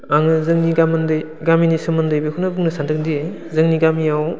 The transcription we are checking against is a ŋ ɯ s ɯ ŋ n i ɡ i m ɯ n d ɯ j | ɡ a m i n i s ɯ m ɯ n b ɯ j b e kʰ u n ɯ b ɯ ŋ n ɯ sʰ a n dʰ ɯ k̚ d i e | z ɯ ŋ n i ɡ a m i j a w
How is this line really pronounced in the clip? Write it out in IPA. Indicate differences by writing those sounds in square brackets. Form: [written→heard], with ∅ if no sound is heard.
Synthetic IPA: a ŋ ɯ [s→z] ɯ ŋ n i ɡ [i→a] m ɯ n d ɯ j | ɡ a m i n i s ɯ m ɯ n [b→d] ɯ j b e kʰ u n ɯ b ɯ ŋ n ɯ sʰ a n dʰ ɯ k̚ d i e | z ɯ ŋ n i ɡ a m i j a w

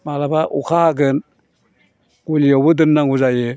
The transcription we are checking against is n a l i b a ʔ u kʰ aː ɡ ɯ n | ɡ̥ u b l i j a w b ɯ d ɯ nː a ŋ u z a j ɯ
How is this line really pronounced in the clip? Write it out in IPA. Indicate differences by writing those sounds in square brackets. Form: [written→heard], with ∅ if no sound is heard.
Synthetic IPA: [n→m] a l [i→a] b a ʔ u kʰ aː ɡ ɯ n | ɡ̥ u [b→∅] l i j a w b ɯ d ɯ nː a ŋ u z a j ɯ

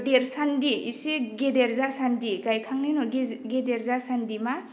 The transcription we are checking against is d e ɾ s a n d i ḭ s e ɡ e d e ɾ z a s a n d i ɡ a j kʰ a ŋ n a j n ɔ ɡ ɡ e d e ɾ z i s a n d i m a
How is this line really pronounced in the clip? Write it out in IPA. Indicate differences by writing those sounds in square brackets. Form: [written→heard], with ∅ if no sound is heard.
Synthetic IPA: d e ɾ s a n d i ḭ s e ɡ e d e ɾ z a s a n d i ɡ a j kʰ a ŋ n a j n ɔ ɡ ɡ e d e ɾ z [i→a] s a n d i m a

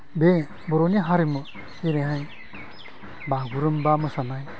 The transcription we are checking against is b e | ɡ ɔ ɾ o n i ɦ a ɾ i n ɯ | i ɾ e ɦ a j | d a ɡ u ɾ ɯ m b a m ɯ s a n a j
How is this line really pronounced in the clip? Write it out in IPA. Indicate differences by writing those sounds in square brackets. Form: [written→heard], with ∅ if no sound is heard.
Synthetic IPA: b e | [ɡ→b] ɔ ɾ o n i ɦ a ɾ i [n→m] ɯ | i ɾ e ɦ a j | [d→b] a ɡ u ɾ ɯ m b a m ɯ s a n a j

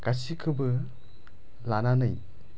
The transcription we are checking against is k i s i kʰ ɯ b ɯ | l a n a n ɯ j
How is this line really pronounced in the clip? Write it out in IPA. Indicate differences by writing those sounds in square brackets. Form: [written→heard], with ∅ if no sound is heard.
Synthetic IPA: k [i→a] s i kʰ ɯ b ɯ | l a n a n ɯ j

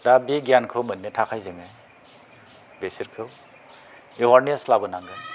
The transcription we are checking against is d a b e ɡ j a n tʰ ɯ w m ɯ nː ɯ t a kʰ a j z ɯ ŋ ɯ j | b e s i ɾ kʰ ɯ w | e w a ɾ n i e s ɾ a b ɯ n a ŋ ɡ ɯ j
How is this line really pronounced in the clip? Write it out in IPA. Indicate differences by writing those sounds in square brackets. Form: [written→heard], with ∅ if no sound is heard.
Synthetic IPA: d a b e ɡ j a n [tʰ→kʰ] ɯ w m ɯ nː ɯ [t→tʰ] a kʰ a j z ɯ ŋ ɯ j | b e s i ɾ kʰ ɯ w | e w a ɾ n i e s [ɾ→l] a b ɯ n a ŋ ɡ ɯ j

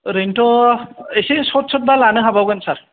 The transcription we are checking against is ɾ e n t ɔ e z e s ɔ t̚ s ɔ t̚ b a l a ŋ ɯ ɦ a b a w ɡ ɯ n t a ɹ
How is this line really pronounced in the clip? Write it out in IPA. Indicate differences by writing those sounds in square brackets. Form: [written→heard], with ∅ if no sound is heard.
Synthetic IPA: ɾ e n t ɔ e [z→s] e s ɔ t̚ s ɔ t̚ b a l a [ŋ→n] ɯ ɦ a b a w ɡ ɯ n [t→s] a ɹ

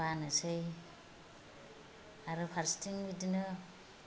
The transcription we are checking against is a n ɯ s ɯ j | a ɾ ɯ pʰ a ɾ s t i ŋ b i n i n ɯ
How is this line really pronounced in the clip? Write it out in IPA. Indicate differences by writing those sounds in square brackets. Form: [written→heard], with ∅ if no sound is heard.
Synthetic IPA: a n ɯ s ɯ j | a ɾ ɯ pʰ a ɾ s t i ŋ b i [n→d] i n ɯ

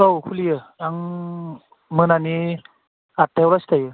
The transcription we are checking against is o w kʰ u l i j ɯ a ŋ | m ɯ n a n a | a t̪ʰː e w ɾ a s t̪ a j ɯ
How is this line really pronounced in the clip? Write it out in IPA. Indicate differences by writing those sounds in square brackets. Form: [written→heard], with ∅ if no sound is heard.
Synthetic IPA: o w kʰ u l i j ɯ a ŋ | m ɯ n a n [a→i] | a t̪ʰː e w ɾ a s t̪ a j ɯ

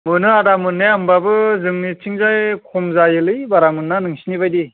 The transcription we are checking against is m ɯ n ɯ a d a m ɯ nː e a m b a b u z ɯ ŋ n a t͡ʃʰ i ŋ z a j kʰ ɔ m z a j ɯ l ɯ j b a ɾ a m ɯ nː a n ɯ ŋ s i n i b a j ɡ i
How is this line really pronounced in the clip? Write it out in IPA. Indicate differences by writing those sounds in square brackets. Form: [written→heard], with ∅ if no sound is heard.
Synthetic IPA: m ɯ n ɯ a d a m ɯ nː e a m b a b [u→ɯ] z ɯ ŋ n [a→i] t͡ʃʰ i ŋ z a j kʰ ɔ m z a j ɯ l ɯ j b a ɾ a m ɯ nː a n ɯ ŋ s i n i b a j [ɡ→d] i

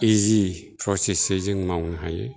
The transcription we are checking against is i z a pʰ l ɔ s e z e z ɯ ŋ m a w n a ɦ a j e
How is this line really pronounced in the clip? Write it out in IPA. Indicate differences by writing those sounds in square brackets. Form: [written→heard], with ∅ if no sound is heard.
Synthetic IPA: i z [a→i] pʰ [l→ɾ] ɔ s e [z→s] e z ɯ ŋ m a w n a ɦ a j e

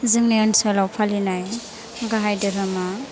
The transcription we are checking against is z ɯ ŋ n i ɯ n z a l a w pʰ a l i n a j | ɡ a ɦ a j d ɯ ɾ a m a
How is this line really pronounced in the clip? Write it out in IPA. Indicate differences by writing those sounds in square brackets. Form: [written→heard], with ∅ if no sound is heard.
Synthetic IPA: z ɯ ŋ n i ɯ n [z→s] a l a w pʰ a l i n a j | ɡ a ɦ a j d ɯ ɾ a m a

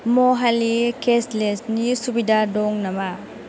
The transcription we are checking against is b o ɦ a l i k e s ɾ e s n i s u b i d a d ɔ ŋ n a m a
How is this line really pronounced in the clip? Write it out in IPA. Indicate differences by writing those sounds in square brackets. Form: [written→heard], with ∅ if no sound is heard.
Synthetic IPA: [b→m] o ɦ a l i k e s [ɾ→l] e s n i s u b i d a d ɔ ŋ n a m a

